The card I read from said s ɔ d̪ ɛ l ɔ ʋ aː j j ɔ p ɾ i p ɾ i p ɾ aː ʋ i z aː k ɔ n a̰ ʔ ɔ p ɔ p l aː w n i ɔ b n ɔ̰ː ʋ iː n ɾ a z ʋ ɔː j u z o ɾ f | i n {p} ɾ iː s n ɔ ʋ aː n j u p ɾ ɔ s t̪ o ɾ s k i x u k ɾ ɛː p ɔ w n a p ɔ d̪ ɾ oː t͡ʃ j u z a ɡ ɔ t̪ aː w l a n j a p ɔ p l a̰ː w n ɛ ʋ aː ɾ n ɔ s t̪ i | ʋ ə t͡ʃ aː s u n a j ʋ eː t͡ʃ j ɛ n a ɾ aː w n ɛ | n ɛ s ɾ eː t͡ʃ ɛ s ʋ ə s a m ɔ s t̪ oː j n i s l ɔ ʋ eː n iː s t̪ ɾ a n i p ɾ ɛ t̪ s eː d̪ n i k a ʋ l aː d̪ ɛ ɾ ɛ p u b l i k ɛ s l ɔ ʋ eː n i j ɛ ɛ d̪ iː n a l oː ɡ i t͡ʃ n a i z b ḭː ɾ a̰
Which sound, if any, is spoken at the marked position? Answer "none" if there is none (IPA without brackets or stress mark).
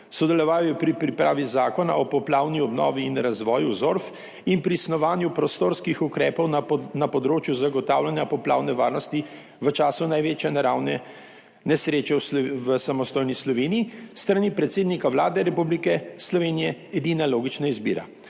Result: p